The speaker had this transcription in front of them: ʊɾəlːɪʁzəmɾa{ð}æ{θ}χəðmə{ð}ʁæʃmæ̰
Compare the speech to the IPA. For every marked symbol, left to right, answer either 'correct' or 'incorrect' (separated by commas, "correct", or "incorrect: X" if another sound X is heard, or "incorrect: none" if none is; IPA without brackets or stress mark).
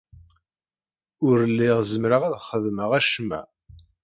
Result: incorrect: ʁ, incorrect: ð, incorrect: none